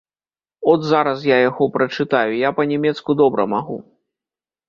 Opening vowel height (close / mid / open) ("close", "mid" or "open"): mid